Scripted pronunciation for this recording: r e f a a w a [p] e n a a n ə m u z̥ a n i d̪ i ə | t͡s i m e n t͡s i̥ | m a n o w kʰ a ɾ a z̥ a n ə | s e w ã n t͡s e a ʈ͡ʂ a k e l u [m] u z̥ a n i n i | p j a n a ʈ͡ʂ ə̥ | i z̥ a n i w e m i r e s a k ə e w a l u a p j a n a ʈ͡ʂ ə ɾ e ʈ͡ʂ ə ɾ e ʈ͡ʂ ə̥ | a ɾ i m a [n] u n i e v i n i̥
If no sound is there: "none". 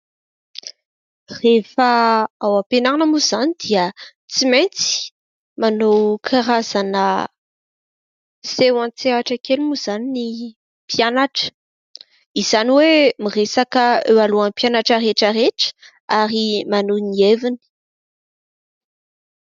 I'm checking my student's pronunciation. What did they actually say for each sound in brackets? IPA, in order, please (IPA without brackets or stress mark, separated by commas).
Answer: p, m, n